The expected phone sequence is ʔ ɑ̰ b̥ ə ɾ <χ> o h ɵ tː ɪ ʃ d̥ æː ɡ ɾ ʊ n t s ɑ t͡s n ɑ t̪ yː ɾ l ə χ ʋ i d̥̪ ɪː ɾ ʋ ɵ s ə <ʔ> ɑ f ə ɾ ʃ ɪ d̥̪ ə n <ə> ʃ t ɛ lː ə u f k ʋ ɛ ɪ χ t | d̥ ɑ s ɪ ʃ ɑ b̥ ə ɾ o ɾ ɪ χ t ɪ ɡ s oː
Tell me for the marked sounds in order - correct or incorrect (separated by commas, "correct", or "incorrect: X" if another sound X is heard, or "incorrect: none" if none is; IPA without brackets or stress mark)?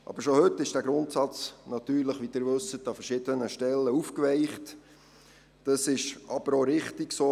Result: incorrect: ʃ, incorrect: t, correct